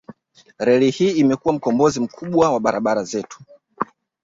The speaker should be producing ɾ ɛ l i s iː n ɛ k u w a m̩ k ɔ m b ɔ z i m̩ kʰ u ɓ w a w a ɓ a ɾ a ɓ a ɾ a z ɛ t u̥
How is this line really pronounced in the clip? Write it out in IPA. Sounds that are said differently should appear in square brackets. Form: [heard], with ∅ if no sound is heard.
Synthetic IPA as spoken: ɾ ɛ l i [h] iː [m] ɛ k u w a m̩ k ɔ m b ɔ z i m̩ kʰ u ɓ w a w a ɓ a ɾ a ɓ a ɾ a z ɛ t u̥